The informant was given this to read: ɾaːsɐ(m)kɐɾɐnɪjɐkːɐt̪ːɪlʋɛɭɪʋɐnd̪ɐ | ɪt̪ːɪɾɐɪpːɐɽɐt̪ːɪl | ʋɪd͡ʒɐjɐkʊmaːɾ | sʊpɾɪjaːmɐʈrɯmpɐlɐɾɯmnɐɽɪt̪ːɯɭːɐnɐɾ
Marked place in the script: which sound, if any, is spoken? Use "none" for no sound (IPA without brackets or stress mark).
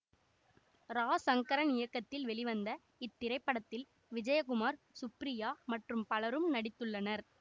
ŋ